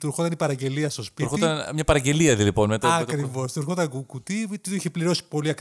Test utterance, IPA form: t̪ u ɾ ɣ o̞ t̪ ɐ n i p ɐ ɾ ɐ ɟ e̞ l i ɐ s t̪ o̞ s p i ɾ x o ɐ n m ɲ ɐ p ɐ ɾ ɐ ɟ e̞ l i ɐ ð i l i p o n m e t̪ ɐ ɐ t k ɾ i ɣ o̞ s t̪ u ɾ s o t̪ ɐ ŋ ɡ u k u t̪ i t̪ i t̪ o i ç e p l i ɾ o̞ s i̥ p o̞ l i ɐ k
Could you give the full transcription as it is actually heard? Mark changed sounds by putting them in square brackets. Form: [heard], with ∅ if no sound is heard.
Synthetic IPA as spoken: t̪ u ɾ [x] o̞ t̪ ɐ n i p ɐ ɾ ɐ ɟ e̞ l i ɐ s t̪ o̞ s p i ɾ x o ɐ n m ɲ ɐ p ɐ ɾ ɐ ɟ e̞ l i ɐ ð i l i p o n m e t̪ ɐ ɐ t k ɾ i [v] o̞ s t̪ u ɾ [x] o t̪ ɐ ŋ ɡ u k u t̪ i t̪ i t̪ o i ç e p l i ɾ o̞ s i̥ p o̞ l i ɐ k